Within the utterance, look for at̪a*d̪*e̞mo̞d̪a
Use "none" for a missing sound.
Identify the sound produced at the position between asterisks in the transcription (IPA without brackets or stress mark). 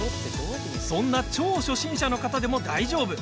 d̪